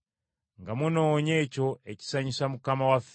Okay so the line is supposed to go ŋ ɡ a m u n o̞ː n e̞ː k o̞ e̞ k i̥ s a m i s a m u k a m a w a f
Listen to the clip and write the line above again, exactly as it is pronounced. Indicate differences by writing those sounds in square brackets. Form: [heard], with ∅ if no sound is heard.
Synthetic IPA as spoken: ŋ ɡ a m u n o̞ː [ɲ] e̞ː [c] o̞ e̞ [c] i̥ s a [ɲ] i s a m u k a m a w a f